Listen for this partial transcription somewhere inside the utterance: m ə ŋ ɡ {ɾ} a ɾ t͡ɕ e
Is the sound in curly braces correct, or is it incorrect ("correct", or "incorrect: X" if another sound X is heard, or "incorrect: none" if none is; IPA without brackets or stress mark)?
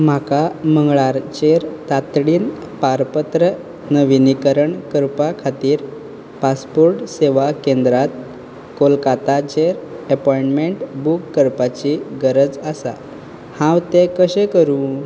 incorrect: ɭ